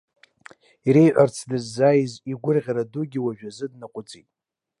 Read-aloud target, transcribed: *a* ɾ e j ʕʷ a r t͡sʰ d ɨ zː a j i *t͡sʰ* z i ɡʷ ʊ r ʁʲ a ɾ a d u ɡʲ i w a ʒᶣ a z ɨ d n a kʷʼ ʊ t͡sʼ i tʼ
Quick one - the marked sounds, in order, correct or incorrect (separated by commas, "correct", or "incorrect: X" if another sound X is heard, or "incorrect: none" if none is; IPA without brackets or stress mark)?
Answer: incorrect: i, incorrect: none